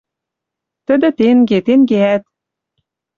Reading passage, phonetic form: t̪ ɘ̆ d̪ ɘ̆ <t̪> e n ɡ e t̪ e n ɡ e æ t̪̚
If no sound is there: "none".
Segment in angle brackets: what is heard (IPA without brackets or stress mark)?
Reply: t̪